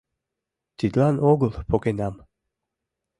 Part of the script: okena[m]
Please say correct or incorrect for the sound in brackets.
correct